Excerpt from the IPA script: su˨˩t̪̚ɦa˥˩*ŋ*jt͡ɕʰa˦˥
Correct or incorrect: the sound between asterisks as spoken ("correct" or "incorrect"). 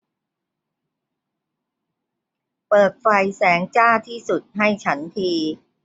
incorrect